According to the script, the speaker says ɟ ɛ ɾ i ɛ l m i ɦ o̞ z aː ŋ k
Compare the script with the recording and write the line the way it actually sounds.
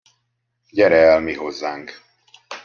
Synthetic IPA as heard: ɟ ɛ ɾ ɛ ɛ l m i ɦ o̞ zː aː ŋ k